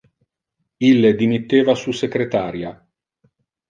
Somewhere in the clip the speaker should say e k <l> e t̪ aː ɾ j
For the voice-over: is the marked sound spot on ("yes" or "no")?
no